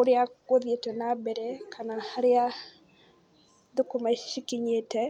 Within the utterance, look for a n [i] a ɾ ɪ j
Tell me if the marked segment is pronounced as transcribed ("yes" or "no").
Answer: no